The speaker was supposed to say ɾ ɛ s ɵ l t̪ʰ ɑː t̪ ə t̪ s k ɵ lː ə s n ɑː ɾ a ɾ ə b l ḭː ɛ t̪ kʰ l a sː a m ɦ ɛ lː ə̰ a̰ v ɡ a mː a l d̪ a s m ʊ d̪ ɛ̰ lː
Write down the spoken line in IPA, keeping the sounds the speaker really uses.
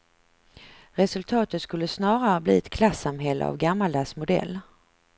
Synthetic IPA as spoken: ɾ ɛ s ɵ l t̪ʰ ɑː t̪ ə t̪ s k ɵ lː ə s n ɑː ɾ a ɾ ə b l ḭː ɛ t̪ kʰ l a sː a m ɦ ɛ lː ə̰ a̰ v ɡ a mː a l d̪ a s m ʊ d̪ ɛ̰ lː